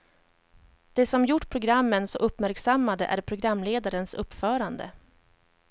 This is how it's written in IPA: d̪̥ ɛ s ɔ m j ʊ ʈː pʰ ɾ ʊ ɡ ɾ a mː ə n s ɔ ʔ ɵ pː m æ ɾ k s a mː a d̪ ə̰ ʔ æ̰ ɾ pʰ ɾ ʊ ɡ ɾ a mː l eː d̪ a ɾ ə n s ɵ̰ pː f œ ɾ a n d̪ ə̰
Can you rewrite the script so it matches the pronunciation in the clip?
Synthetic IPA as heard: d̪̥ ɛ s ɔ m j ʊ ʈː pʰ ɾ ʊ ɡ ɾ a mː ə n s ɔ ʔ ɵ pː m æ ɾ k s a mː a d̪ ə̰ ʔ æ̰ ɾ pʰ ɾ ʊ ɡ ɾ a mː l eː d̪ a ɾ ə n s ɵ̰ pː f œː ɾ a n d̪ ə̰